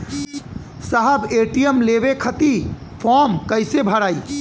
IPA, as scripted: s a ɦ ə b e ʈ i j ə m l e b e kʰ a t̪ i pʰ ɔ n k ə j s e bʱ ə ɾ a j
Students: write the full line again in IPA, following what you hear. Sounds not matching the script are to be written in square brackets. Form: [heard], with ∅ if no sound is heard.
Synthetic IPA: s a ɦ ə b e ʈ i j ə m l e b e kʰ [ə] t̪ i pʰ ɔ [m] k ə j s e bʱ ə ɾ a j